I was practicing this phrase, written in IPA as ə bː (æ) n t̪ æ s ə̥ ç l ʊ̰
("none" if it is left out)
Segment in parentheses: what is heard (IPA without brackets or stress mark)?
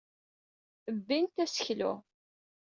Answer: i